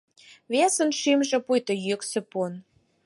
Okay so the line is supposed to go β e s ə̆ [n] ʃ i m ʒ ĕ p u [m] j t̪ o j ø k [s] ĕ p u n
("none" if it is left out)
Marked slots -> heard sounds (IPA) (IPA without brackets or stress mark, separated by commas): n, none, s